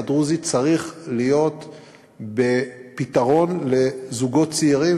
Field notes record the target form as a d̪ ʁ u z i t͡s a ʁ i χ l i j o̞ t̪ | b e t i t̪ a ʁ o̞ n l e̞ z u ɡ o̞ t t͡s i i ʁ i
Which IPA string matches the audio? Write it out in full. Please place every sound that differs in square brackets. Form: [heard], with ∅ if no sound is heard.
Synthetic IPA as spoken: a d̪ ʁ u z i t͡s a ʁ i χ l i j o̞ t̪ | b e [p] i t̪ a ʁ o̞ n l e̞ z u ɡ o̞ t t͡s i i ʁ i